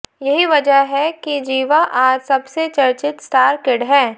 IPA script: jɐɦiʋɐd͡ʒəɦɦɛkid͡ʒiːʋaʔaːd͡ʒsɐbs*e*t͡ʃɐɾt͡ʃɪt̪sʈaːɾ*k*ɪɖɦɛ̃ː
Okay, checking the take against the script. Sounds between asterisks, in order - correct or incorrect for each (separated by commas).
correct, correct